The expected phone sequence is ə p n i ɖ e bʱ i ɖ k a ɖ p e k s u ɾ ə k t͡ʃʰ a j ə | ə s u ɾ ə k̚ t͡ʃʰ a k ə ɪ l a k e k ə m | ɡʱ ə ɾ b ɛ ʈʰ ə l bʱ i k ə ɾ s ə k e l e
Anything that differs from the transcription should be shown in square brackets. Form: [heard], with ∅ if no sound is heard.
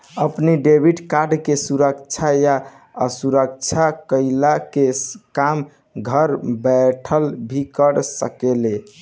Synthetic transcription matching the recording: ə p n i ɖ e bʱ i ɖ k a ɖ [k] e [∅] s u ɾ ə k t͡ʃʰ a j [a] | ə s u ɾ ə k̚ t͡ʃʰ a k ə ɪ l a k e k [a] m | ɡʱ ə ɾ b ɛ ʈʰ ə l bʱ i k ə ɾ s ə k e l e